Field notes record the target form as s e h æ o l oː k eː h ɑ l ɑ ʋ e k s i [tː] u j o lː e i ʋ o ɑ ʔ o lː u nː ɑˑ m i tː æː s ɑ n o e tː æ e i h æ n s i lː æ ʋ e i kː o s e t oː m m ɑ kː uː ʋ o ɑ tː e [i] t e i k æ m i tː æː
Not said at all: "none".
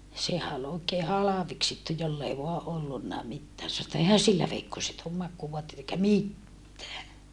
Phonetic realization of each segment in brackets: tː, i

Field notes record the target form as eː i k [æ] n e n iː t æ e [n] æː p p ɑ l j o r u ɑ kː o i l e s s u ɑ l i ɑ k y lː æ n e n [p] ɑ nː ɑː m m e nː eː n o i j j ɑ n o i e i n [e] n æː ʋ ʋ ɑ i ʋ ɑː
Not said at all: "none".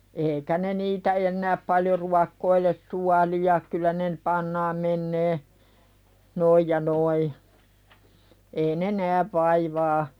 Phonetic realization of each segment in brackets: æ, nː, p, e

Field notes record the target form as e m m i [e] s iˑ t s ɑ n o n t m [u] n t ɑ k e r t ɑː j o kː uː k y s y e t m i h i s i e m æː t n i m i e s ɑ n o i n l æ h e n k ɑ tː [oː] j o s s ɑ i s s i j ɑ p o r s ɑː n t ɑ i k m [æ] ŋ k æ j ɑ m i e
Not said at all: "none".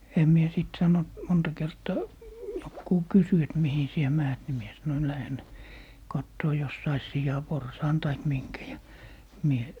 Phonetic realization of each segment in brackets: e, o, oː, i

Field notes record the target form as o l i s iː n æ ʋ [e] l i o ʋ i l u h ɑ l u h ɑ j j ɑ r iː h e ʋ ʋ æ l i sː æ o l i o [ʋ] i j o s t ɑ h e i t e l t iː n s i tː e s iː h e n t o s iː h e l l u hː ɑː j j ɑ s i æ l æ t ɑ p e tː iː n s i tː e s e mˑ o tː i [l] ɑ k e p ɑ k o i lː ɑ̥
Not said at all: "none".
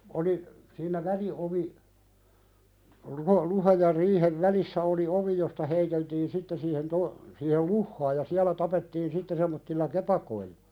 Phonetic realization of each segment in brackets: æ, ʋ, lː

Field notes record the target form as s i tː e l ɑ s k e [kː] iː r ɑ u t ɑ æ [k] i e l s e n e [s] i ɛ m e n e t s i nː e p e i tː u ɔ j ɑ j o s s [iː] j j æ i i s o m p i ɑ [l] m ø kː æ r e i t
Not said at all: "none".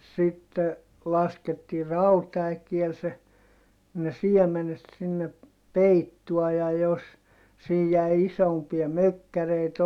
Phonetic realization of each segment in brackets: tː, k, s, iː, none

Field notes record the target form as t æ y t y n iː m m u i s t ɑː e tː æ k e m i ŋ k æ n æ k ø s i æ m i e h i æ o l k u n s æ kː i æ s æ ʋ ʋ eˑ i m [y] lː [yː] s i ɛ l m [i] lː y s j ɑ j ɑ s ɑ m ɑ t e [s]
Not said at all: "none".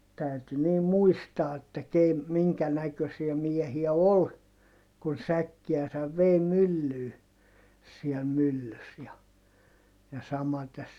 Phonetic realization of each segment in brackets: y, yː, y, s

